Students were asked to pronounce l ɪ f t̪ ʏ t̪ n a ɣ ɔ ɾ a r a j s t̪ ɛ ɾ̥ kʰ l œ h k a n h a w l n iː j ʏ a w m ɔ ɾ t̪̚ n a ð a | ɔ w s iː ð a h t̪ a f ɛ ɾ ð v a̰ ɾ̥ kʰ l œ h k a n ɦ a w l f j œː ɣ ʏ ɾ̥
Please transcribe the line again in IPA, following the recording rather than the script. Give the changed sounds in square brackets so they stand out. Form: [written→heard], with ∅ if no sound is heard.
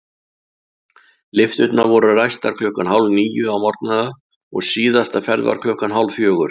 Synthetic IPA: l ɪ f t̪ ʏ t̪ n a [ɣ→v] ɔ ɾ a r a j s t̪ [ɛ→a] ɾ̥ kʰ l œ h k a n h a w l n iː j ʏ a w m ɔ ɾ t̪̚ n a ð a | ɔ [w→ɣ] s iː ð a [h→s] t̪ a f ɛ ɾ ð v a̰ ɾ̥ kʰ l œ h k a n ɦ a w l f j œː ɣ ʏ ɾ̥

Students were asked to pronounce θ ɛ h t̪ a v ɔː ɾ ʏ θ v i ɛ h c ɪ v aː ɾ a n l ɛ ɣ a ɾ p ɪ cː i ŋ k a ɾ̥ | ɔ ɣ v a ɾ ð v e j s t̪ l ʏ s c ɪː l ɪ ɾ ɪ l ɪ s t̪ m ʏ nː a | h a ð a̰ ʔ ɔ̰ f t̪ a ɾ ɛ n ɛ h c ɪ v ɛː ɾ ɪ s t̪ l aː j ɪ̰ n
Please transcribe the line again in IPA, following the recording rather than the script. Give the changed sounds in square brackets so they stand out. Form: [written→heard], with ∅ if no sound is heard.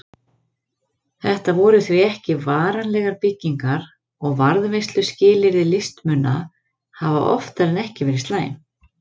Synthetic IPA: θ ɛ h t̪ a v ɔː ɾ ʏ θ v i ɛ h c ɪ v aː ɾ a n l ɛ ɣ a ɾ p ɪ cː i ŋ k a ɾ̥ | ɔ ɣ v a ɾ ð v e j s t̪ l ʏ s c ɪː l ɪ ɾ ɪ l ɪ s t̪ m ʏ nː a | h a [ð→v] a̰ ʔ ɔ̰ f t̪ a ɾ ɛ n ɛ h c ɪ v ɛː ɾ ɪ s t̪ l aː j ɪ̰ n

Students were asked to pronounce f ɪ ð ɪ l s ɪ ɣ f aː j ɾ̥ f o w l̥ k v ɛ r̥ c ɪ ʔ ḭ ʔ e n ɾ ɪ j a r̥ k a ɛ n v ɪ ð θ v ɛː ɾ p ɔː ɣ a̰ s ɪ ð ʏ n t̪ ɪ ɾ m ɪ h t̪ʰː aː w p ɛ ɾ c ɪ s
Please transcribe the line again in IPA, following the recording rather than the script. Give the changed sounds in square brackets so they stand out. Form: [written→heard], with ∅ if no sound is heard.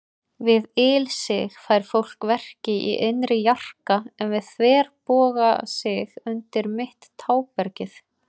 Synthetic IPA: [f→v] ɪ ð ɪ l s ɪ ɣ f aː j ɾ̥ f o w l̥ k v ɛ r̥ c ɪ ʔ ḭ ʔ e n ɾ ɪ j a r̥ k a ɛ n v ɪ ð θ v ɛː ɾ p ɔː ɣ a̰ s ɪ [ð→ɣ] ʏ n t̪ ɪ ɾ m ɪ h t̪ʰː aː w p ɛ ɾ c ɪ [s→θ]

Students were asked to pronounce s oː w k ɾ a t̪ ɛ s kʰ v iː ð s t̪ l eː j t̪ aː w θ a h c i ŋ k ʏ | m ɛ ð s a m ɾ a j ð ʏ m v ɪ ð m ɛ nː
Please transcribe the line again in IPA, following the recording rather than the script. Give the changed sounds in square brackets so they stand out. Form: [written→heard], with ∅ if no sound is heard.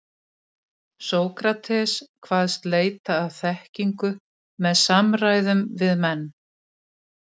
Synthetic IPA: s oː w k ɾ a [t̪→t̪ʰ] ɛ s kʰ v [iː→aː] ð s t̪ l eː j t̪ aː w θ [a→ɛ] h c i ŋ k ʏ | m ɛ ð s a m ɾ a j ð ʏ m v ɪ ð m ɛ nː

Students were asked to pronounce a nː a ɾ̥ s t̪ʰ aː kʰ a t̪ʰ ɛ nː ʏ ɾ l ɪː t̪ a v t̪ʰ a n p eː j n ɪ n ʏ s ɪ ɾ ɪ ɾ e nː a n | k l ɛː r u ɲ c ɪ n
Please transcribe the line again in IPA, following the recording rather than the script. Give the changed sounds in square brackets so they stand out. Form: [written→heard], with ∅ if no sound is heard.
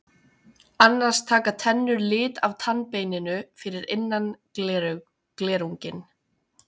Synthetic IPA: a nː a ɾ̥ s t̪ʰ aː [kʰ→k] a t̪ʰ ɛ nː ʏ ɾ l ɪː t̪ a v t̪ʰ a n p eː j n ɪ n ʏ [s→f] ɪ ɾ ɪ ɾ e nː a n | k l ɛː [r→ɾ] u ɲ c ɪ n

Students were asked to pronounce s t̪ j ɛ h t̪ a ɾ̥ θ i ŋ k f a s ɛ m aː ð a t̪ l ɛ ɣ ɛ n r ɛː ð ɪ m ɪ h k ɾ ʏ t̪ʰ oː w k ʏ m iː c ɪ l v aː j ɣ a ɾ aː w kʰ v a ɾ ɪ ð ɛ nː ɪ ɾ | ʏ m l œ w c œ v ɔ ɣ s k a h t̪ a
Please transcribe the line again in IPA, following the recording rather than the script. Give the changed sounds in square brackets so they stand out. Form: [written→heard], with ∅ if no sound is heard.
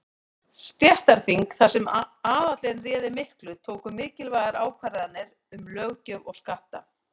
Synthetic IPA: s t̪ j ɛ h t̪ a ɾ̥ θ i ŋ k [f→θ] a s ɛ m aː ð a t̪ l ɛ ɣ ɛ n r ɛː ð ɪ m ɪ h k [ɾ→l] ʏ t̪ʰ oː w k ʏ m [iː→ɪː] c ɪ l v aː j ɣ a ɾ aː w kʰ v a ɾ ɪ ð [ɛ→a] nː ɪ ɾ | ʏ m l œ [w→ɣ] c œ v ɔ ɣ s k a h t̪ a

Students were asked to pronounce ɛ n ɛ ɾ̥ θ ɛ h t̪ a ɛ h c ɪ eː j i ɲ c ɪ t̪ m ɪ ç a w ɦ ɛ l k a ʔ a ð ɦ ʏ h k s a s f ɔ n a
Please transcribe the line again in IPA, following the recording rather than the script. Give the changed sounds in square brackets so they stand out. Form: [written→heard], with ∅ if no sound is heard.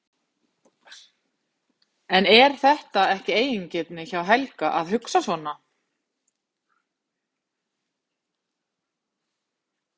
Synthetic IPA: ɛ n ɛ ɾ̥ θ ɛ h t̪ a ɛ h c ɪ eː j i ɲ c ɪ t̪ [m→n] ɪ ç a w ɦ ɛ l k a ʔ a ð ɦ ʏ [h→∅] k s a s [f→v] ɔ n a

